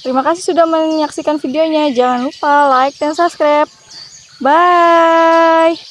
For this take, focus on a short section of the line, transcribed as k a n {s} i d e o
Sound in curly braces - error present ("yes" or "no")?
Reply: yes